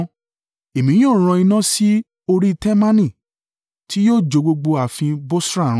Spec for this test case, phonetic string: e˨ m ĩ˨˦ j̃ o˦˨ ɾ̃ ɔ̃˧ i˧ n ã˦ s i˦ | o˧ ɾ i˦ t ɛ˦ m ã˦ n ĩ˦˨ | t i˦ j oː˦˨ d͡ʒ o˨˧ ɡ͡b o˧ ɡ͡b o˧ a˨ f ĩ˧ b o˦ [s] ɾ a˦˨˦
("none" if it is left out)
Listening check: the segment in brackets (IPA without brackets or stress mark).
s